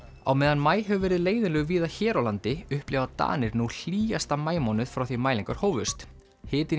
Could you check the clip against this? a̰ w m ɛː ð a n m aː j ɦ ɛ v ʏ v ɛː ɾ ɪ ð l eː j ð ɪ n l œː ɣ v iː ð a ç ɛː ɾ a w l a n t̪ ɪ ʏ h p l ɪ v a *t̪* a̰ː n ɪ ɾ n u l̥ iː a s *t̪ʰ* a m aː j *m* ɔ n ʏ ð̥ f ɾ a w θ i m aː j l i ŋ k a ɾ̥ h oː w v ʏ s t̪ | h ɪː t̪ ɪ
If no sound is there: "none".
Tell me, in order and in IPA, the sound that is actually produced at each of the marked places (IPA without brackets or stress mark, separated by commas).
t̪, t̪, m